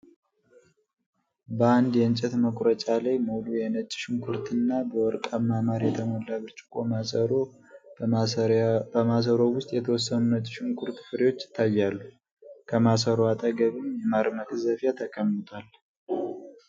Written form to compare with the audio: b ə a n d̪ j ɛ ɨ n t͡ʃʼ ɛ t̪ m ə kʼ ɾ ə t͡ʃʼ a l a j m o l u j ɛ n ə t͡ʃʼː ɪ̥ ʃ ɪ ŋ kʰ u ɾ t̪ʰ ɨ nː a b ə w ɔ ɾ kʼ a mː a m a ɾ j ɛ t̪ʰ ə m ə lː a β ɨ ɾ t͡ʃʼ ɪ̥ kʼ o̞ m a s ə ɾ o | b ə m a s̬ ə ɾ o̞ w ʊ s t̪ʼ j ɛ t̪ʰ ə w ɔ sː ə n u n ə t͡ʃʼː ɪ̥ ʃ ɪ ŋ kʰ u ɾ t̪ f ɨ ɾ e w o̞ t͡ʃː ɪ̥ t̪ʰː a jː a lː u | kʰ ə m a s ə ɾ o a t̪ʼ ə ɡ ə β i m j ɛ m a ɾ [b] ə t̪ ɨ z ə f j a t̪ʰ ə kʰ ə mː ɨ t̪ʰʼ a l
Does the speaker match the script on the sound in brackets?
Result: no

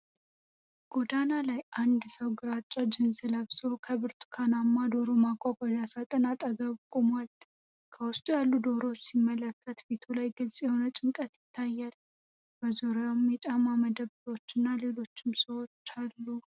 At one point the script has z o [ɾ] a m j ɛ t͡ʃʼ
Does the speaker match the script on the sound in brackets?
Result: yes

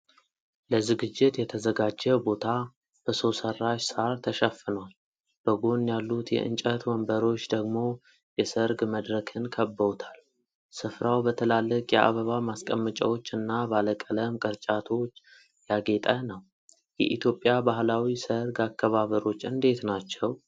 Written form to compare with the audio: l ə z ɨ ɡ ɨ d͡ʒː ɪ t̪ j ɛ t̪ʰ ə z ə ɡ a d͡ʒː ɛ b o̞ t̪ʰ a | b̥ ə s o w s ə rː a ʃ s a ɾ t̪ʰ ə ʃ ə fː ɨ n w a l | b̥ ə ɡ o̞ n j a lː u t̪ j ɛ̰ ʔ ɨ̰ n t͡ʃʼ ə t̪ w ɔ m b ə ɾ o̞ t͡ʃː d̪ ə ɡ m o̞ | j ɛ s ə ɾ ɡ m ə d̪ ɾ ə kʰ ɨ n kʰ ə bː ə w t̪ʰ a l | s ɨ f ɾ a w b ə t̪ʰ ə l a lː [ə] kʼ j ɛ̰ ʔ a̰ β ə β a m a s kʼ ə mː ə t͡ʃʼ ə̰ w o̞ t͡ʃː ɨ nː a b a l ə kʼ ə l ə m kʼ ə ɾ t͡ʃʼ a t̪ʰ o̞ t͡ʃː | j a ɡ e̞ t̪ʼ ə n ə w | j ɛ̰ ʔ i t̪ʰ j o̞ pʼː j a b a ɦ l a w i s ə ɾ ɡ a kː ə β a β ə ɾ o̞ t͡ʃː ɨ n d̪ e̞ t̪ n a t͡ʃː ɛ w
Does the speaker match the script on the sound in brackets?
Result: yes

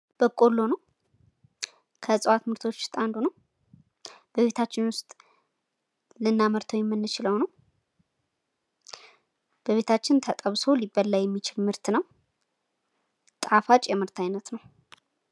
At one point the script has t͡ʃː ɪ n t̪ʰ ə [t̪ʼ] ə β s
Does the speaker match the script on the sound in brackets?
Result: yes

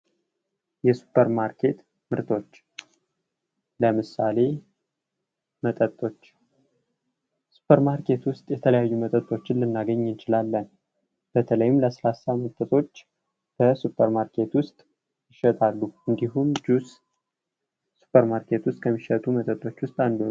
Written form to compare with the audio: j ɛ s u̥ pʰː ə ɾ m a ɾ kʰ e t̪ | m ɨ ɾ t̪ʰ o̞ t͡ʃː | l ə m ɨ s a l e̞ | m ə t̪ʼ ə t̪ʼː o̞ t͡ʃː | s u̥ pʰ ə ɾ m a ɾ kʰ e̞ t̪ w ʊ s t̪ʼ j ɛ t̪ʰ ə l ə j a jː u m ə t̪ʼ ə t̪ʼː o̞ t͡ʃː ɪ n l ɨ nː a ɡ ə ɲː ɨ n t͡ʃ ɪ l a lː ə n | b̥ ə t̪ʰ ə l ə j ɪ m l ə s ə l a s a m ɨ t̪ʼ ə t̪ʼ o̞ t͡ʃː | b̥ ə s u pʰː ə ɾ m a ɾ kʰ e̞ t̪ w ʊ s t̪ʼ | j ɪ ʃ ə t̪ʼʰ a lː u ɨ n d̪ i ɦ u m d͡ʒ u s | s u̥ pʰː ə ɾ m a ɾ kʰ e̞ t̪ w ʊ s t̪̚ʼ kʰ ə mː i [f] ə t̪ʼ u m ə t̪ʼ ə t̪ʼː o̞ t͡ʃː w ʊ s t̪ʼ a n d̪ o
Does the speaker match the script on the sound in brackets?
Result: no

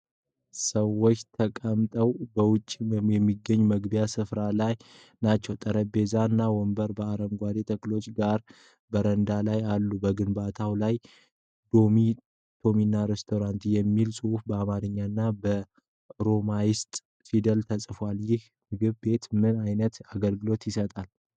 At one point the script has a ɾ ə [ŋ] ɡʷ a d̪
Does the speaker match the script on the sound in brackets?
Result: no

